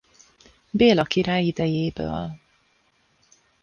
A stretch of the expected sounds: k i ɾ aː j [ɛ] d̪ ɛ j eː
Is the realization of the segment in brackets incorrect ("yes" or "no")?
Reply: yes